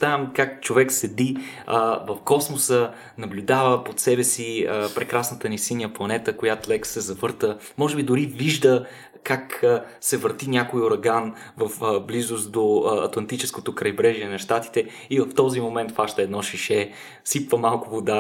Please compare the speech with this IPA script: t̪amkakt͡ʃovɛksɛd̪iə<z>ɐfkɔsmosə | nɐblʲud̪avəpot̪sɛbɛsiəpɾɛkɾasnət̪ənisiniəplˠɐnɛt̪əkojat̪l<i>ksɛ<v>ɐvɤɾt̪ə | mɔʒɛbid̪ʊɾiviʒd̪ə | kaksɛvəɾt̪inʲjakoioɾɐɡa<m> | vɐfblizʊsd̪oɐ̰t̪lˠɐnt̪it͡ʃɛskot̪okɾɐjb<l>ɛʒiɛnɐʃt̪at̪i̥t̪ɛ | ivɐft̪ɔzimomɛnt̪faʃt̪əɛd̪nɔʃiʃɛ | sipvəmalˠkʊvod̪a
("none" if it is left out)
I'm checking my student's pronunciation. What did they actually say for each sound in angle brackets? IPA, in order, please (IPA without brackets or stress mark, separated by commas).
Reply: v, ɛ, z, n, ɾ